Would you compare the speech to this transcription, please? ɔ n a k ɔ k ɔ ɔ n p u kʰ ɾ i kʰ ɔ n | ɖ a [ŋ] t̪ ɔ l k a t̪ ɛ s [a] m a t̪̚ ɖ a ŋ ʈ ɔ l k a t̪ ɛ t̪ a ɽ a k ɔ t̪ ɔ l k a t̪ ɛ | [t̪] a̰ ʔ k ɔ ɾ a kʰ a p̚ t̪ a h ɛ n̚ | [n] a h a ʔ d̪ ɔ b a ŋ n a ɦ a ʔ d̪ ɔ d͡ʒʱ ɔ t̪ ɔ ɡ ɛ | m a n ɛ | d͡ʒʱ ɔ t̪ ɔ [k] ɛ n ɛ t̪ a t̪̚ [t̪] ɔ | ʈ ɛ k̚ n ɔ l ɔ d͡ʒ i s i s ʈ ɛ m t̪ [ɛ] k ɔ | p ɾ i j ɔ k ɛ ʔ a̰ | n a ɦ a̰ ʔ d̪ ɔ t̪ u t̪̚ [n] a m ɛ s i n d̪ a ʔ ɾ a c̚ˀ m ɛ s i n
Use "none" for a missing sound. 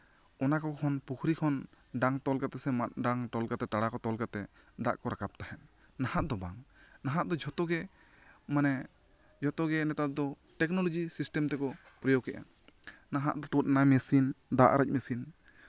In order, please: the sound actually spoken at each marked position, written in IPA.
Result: ŋ, ɛ, d̪, n, ɡ, d̪, ɛ, n

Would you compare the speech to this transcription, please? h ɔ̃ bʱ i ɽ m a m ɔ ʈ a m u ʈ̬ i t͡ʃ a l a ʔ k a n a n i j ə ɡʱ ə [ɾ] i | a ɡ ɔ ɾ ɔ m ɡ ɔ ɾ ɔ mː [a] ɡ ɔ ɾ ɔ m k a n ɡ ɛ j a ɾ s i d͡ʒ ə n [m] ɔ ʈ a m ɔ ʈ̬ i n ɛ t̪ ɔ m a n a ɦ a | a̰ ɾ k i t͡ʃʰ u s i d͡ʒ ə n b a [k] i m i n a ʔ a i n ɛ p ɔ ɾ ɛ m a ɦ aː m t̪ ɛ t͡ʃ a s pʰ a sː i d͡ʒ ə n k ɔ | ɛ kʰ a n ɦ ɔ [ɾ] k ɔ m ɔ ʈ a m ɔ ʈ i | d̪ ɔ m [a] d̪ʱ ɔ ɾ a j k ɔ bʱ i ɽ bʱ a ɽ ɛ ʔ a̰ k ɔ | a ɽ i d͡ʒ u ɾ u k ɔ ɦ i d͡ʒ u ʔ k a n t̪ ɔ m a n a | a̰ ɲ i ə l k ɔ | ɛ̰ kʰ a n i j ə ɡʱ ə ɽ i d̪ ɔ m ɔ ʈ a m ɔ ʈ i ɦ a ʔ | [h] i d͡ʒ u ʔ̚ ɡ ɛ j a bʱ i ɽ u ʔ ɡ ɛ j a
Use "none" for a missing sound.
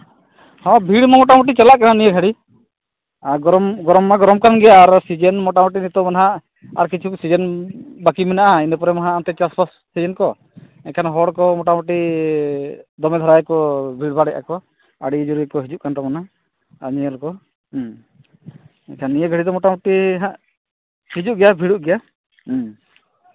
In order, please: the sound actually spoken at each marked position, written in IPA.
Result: ɽ, a, m, k, ɽ, ɛ, h

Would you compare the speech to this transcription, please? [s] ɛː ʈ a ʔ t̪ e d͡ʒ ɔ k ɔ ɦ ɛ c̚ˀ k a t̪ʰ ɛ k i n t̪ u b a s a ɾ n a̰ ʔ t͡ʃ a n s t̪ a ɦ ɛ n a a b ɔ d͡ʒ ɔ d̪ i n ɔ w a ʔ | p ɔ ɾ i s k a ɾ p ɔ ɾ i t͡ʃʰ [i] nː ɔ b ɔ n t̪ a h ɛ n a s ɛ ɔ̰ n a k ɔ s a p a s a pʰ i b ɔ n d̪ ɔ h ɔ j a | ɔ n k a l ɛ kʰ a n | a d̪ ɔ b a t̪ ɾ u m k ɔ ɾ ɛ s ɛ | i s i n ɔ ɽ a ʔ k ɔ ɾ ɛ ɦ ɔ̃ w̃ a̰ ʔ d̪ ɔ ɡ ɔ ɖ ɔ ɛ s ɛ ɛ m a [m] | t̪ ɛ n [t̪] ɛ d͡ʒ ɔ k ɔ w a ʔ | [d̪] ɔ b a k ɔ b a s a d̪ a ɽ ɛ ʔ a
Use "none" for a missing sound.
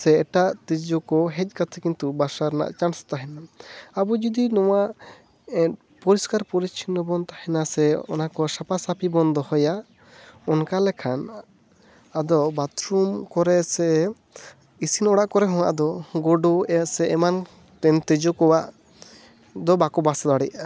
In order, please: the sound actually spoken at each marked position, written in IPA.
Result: s, i, n, t̪, d̪

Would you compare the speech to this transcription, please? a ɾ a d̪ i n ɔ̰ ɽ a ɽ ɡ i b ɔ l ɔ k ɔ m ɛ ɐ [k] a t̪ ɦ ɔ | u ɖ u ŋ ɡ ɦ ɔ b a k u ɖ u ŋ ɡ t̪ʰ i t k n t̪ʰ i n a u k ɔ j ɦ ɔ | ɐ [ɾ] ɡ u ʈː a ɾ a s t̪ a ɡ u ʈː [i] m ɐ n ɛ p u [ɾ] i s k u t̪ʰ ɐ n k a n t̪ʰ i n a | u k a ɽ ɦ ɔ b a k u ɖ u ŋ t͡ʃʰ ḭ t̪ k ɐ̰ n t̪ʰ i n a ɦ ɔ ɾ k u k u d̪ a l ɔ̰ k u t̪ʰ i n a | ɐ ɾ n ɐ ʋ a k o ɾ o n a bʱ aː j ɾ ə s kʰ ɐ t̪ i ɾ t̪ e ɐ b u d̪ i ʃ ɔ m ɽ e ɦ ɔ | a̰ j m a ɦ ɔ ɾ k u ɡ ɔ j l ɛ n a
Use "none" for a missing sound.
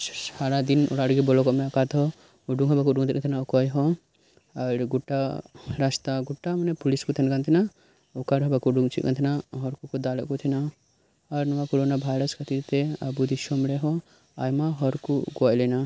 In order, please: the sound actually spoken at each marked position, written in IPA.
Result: k, ɾ, a, l

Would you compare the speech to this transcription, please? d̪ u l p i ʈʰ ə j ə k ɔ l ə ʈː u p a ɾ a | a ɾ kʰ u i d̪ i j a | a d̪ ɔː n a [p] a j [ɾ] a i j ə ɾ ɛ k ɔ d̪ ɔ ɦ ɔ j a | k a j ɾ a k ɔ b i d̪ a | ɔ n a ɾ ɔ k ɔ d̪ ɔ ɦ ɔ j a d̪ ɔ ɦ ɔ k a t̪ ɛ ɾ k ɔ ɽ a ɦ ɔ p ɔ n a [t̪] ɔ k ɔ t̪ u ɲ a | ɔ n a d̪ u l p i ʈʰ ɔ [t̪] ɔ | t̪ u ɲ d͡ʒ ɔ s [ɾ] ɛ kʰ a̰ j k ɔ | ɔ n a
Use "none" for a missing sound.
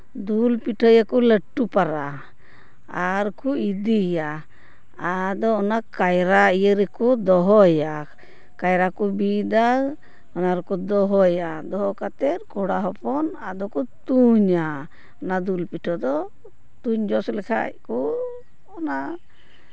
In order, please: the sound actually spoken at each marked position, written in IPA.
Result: k, ɾ, d̪, d̪, l

